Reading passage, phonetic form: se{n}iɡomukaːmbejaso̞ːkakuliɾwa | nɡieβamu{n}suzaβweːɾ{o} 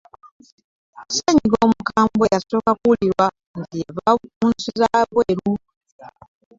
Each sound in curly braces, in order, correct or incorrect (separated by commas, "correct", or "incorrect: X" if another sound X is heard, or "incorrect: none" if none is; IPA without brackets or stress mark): incorrect: ɲ, correct, incorrect: u